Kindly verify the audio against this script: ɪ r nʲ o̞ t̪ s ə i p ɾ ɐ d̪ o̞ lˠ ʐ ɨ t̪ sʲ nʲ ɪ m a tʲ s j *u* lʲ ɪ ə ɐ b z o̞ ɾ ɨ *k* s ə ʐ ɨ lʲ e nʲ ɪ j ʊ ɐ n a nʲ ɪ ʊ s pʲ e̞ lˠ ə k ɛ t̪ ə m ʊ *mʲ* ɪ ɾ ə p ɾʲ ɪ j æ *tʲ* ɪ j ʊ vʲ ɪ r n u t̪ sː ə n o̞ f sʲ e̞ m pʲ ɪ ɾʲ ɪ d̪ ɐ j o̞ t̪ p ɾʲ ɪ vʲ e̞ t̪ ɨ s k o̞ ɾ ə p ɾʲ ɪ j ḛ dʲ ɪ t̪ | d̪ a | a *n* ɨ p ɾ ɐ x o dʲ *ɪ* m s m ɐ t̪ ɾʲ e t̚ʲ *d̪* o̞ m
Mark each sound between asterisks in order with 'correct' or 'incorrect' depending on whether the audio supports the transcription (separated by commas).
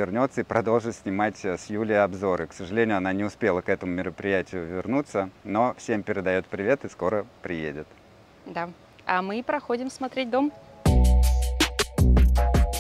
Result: correct, correct, correct, correct, incorrect, correct, correct